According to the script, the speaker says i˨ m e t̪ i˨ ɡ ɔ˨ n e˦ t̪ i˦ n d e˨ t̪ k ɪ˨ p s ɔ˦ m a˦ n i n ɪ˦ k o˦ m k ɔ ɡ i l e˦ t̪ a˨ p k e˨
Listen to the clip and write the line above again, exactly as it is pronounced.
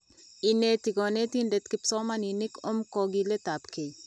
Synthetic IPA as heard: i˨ n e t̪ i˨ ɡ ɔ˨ n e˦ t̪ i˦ n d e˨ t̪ k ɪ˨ p s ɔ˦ m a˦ n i n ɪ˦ k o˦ m k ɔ ɡ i l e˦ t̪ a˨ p k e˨